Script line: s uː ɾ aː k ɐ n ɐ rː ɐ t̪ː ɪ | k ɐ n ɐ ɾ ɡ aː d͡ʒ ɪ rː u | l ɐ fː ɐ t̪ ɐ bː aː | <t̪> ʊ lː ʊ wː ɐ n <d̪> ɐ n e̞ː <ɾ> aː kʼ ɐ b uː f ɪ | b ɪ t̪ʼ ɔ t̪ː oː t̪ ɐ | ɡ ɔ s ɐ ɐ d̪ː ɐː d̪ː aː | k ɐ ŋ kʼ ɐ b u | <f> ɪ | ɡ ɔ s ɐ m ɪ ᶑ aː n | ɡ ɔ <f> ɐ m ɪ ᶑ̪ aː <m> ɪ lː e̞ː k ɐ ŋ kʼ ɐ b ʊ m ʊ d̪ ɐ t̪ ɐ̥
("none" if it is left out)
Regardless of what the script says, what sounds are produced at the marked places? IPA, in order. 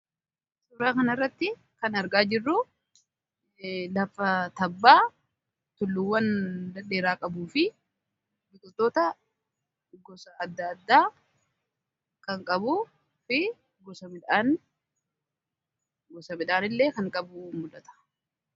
t̪, d̪, ɾ, f, s, n

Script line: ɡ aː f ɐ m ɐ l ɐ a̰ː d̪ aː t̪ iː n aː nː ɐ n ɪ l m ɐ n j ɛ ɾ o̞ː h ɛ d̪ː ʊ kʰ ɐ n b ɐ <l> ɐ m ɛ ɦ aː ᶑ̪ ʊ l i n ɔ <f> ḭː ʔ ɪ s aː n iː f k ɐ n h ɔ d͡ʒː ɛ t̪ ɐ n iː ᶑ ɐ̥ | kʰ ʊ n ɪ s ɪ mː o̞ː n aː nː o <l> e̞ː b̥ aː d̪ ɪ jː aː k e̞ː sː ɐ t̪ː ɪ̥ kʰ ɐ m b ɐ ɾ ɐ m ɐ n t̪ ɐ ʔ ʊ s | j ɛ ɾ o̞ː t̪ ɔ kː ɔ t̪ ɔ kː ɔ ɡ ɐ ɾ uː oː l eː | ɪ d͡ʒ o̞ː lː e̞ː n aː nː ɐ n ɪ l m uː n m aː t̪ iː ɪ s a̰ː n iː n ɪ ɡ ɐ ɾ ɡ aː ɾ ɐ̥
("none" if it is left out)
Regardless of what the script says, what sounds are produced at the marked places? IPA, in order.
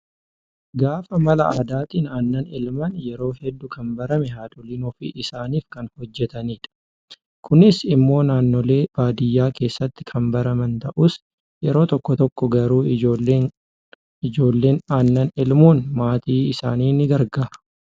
ɾ, f, l

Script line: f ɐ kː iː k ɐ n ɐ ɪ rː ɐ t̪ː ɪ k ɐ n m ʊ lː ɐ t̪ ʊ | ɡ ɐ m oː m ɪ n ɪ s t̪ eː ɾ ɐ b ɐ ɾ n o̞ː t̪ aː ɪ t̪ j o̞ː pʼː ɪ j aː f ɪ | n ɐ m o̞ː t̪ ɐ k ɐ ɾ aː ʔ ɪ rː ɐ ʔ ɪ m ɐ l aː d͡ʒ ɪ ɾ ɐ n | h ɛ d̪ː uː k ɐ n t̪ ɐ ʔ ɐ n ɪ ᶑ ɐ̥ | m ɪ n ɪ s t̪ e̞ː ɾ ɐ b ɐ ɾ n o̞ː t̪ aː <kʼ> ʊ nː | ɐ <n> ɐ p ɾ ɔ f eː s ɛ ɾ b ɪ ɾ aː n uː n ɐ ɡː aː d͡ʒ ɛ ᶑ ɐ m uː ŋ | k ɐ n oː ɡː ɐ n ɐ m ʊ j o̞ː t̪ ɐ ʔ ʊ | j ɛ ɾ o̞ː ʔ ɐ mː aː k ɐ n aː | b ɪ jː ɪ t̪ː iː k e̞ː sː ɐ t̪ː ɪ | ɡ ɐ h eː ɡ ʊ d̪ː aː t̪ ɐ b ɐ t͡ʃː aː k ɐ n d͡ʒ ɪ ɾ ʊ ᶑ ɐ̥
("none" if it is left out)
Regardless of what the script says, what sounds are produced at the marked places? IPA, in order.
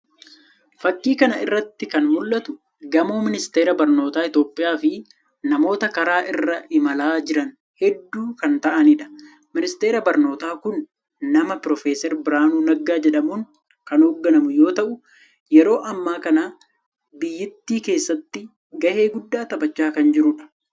k, m

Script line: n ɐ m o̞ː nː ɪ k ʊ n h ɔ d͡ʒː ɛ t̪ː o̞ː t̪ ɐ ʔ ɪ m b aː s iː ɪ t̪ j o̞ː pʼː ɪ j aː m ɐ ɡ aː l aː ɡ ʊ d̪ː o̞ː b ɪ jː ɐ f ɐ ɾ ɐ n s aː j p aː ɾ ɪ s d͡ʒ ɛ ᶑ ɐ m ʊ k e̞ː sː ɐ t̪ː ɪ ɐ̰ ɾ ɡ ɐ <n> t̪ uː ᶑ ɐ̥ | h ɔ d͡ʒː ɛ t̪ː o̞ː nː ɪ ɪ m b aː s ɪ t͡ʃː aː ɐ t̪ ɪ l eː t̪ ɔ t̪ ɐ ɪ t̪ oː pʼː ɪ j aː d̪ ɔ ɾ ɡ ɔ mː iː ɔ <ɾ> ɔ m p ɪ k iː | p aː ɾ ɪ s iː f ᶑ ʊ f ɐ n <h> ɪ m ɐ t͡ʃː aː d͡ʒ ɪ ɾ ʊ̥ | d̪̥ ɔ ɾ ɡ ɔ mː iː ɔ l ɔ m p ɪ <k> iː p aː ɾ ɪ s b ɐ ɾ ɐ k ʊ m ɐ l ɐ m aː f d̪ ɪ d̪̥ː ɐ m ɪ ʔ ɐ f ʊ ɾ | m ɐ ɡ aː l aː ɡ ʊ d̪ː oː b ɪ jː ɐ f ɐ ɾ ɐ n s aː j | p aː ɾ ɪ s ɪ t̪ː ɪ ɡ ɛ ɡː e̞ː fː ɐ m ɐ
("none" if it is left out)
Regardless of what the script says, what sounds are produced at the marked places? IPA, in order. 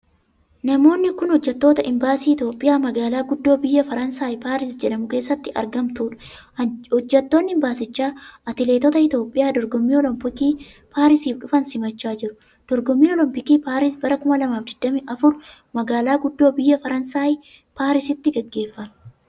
m, l, s, k

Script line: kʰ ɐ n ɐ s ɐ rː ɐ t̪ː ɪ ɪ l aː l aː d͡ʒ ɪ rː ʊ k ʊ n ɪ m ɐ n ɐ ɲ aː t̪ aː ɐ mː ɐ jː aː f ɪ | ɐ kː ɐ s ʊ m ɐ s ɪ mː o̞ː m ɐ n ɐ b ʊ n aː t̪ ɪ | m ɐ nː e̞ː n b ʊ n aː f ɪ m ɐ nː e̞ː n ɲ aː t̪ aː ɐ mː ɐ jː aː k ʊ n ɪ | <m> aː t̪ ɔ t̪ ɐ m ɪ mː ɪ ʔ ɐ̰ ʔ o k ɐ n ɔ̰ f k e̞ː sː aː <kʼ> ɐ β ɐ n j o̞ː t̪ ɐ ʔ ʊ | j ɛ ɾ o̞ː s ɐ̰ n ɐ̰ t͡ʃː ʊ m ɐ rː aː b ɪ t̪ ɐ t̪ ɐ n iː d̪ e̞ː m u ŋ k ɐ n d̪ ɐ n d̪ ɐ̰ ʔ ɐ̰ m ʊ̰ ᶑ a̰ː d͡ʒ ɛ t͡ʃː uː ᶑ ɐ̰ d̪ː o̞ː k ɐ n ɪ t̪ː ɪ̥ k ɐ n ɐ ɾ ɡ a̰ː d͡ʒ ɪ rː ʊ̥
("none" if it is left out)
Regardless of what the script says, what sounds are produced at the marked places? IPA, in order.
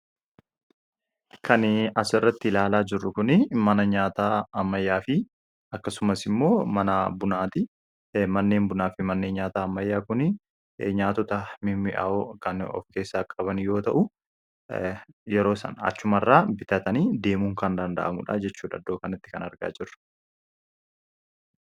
ɲ, kʼ

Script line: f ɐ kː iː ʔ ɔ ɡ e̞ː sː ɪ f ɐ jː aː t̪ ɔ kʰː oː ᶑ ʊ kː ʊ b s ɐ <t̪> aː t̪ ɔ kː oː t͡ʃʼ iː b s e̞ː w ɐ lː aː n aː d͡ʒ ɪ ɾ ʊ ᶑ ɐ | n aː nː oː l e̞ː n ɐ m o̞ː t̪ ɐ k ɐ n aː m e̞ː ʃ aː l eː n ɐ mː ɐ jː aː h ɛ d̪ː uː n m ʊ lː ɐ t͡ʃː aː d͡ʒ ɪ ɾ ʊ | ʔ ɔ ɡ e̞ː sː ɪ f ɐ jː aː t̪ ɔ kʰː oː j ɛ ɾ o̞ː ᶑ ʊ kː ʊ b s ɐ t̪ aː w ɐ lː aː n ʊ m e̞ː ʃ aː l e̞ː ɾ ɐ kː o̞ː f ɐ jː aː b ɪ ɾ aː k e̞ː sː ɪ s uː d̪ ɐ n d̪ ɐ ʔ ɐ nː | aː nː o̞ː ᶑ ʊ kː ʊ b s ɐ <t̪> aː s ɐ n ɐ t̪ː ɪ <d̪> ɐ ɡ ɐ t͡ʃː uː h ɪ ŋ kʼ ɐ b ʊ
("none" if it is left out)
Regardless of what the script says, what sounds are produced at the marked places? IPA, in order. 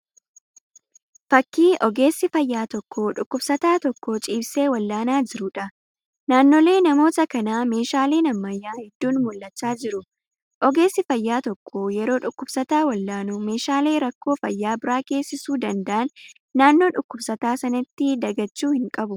t̪, t̪, d̪

